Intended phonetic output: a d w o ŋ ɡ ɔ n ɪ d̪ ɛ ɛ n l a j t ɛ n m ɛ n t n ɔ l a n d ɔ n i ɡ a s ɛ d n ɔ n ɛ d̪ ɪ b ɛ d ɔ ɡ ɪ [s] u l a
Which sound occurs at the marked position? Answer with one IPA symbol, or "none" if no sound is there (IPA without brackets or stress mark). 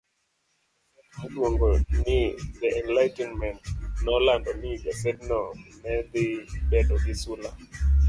s